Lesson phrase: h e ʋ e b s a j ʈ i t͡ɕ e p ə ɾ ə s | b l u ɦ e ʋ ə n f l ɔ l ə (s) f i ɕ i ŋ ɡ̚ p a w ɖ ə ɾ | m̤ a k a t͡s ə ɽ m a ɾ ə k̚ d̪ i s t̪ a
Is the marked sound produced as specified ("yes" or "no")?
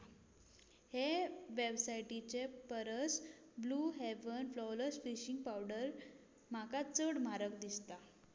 yes